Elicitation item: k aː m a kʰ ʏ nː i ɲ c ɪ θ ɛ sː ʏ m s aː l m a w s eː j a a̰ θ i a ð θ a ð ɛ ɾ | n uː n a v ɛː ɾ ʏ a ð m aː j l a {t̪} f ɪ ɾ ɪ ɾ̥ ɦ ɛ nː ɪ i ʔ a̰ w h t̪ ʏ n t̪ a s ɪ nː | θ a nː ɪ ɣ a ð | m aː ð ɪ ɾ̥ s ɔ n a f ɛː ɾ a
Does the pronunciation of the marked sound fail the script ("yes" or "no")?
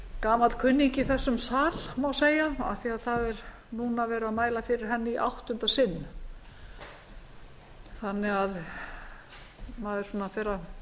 yes